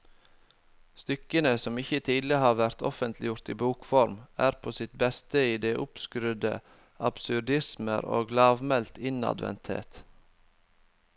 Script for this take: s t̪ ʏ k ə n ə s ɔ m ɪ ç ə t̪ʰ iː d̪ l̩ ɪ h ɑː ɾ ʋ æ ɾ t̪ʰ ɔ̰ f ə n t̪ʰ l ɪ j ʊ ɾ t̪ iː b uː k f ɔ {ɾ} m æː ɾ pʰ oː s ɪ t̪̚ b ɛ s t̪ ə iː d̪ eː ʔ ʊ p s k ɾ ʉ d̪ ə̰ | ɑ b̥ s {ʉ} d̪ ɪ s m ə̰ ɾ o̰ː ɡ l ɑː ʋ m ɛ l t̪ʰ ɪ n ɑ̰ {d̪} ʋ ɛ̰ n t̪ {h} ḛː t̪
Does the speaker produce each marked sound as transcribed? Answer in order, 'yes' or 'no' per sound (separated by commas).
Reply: yes, yes, yes, yes